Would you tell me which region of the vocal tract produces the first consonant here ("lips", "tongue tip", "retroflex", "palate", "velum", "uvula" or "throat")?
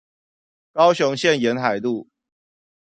velum